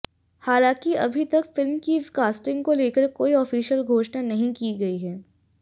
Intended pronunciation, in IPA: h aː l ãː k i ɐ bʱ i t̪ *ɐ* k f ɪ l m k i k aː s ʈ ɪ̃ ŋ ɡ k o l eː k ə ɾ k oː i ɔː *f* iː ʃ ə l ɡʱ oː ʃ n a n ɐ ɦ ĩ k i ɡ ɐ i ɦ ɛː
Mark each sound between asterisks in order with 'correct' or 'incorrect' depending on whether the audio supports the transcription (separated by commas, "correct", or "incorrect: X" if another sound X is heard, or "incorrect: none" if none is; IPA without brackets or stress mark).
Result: correct, correct